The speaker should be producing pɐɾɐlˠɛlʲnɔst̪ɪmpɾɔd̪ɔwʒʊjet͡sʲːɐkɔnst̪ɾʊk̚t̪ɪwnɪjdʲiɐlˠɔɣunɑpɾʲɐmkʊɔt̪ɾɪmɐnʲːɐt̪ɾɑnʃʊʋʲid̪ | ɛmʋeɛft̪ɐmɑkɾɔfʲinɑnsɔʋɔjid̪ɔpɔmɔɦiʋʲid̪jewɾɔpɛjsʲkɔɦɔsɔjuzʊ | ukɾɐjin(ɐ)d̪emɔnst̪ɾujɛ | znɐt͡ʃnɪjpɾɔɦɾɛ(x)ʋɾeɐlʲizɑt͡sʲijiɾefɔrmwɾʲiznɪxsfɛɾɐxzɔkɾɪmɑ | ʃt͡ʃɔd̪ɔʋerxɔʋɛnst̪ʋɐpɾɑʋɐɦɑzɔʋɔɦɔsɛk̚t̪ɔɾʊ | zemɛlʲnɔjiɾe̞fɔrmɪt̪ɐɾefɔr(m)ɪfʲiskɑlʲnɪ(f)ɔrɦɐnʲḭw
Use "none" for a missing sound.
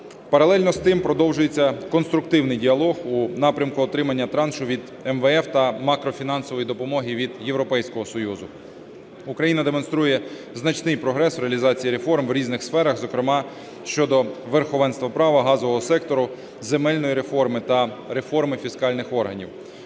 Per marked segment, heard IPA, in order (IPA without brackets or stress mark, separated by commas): ɐ, s, m, x